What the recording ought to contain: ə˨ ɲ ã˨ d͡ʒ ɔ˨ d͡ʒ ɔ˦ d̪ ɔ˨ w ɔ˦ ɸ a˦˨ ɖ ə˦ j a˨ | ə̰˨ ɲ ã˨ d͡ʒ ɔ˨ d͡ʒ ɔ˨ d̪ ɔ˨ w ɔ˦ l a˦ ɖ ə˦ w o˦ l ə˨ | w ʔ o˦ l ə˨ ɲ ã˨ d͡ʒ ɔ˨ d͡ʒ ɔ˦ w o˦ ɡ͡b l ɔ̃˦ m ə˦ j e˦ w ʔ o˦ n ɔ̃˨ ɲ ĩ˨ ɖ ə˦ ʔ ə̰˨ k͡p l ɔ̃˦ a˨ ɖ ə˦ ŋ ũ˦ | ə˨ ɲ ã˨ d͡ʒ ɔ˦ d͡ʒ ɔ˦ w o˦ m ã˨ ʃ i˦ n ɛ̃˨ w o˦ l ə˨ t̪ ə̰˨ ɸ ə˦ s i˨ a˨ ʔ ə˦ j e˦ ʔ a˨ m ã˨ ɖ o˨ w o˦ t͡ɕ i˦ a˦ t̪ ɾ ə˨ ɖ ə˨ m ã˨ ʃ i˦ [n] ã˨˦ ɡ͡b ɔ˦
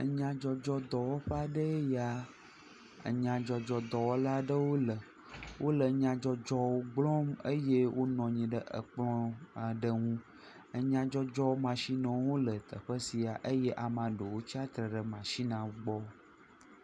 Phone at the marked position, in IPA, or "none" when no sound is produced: n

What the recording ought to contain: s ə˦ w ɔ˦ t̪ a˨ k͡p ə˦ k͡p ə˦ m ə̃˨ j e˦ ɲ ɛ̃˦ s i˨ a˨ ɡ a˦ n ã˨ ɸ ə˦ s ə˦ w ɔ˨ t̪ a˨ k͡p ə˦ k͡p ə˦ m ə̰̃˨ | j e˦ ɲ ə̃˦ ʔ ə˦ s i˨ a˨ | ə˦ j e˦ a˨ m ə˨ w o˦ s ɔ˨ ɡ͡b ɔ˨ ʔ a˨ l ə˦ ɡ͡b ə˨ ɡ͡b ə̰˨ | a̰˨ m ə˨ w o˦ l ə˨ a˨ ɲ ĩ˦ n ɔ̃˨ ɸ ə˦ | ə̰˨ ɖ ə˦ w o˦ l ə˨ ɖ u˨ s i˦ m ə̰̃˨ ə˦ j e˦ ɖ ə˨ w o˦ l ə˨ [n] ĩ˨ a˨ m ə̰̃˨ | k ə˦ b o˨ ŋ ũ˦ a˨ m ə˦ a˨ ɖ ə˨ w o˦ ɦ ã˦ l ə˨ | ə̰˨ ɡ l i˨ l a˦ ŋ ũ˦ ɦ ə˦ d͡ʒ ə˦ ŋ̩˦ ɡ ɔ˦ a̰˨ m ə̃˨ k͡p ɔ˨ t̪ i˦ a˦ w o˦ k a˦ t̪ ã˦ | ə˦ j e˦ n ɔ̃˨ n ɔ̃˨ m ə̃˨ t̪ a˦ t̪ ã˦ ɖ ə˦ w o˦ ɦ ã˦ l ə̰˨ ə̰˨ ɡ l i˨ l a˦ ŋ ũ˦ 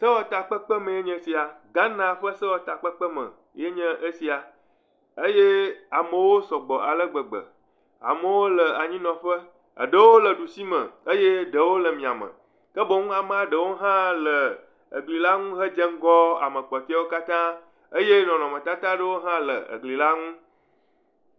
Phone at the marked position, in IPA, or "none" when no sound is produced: m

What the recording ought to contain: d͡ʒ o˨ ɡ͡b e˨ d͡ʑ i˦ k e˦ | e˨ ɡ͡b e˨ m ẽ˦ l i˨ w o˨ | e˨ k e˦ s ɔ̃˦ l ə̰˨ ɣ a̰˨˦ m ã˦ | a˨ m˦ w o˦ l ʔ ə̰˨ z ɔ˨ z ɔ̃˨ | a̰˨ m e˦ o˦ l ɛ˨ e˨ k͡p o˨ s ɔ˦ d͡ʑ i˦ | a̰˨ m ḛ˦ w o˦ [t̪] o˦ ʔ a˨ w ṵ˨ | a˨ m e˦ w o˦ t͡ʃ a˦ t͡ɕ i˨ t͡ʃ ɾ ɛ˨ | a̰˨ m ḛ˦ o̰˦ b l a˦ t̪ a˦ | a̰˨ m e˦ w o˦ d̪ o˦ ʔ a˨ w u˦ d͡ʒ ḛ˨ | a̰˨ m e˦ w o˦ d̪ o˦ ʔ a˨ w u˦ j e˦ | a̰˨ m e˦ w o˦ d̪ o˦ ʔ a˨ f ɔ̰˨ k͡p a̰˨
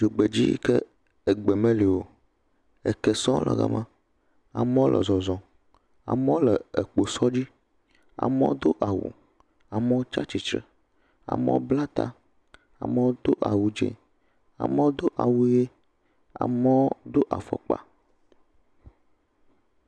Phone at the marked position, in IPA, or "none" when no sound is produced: d̪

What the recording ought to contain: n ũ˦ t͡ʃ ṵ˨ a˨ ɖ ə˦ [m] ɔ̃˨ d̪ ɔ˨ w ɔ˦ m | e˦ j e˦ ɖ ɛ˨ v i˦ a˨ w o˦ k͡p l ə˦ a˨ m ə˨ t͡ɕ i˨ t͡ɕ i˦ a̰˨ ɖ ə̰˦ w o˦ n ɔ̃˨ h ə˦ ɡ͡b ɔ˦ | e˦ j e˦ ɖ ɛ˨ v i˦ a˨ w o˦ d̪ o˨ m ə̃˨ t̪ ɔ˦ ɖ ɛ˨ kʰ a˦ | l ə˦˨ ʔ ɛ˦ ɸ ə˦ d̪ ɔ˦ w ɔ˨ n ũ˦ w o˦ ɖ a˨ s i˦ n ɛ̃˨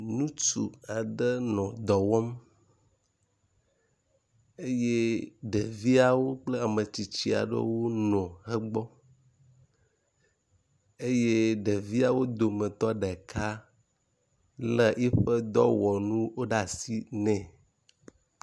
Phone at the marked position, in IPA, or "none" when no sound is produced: n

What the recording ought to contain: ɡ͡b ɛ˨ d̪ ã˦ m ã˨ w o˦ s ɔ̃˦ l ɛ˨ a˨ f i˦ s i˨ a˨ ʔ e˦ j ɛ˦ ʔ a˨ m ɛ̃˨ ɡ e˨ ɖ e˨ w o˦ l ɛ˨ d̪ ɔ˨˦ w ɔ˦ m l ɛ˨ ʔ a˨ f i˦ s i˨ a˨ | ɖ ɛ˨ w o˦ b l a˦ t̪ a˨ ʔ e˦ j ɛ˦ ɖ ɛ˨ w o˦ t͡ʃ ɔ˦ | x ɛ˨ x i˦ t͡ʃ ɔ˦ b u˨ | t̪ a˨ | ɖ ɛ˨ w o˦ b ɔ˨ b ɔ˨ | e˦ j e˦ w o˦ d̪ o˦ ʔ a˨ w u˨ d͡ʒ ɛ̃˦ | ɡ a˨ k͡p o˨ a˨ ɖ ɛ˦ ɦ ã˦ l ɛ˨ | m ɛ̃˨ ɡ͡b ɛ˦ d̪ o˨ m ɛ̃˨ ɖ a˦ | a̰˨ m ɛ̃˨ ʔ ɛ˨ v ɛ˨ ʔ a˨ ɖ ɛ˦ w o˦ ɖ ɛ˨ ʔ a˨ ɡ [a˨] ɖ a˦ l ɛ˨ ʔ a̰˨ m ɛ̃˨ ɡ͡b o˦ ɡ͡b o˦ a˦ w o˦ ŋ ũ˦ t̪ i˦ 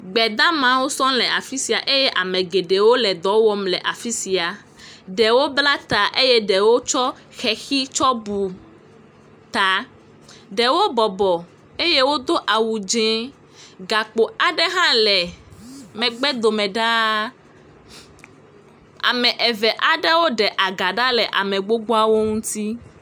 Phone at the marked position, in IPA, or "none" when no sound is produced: a˨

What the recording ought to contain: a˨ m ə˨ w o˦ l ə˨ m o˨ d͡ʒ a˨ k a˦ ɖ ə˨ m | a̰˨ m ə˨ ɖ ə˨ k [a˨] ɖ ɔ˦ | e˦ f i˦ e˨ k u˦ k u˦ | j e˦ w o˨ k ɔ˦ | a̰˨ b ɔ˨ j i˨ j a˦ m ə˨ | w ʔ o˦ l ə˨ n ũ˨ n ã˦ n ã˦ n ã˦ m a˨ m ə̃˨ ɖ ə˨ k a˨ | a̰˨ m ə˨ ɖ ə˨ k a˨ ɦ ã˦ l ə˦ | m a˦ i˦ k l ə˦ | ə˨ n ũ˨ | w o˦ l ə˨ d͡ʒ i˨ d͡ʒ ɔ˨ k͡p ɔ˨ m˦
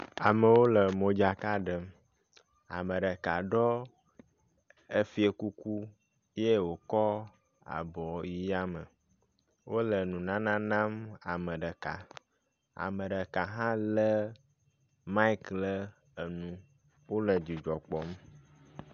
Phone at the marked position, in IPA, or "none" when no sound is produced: a˨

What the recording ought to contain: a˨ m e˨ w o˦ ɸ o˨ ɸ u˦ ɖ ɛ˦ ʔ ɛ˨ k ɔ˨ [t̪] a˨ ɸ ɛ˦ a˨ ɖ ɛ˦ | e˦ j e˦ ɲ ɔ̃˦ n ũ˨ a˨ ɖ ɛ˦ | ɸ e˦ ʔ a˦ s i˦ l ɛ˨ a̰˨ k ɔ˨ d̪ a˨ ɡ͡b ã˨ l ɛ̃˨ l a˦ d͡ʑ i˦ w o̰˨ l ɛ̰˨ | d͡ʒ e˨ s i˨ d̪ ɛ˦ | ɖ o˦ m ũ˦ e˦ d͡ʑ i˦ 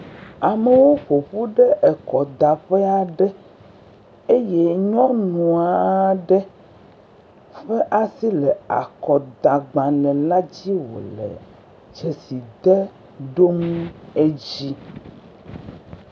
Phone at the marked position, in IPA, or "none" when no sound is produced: d̪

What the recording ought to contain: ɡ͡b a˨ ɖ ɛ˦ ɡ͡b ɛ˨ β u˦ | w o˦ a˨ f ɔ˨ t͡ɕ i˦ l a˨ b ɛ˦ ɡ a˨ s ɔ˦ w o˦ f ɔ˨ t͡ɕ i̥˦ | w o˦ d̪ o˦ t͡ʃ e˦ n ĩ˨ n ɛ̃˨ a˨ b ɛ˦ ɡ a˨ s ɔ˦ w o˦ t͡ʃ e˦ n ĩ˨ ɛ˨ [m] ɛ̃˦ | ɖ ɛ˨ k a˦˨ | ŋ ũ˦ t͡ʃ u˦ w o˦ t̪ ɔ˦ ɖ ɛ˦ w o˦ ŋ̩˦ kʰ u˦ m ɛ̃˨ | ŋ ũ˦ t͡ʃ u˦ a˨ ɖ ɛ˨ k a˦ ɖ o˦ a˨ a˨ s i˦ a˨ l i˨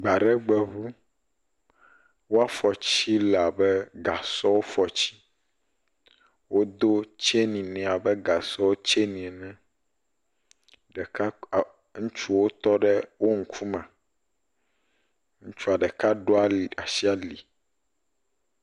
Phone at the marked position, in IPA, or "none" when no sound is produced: n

